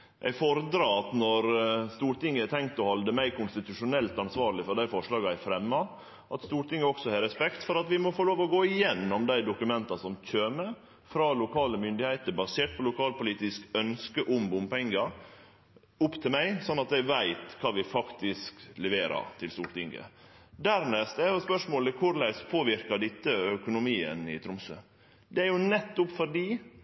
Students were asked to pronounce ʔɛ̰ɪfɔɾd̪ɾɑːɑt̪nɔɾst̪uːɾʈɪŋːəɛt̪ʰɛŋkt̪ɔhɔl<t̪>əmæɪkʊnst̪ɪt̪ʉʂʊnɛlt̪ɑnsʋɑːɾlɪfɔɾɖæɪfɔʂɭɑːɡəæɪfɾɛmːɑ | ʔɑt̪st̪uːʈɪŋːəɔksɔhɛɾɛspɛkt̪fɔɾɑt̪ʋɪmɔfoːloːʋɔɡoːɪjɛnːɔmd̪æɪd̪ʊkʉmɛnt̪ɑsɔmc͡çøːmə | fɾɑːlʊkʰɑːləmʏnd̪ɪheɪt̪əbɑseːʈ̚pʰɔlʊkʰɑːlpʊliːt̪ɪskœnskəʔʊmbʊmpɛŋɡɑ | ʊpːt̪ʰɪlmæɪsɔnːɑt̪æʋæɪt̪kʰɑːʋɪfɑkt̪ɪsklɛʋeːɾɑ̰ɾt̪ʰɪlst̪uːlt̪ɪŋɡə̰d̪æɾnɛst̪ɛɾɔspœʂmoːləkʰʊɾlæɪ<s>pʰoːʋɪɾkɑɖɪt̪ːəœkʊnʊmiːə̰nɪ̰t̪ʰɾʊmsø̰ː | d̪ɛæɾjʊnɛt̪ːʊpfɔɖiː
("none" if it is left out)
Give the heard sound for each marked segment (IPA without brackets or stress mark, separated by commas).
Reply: d̪, s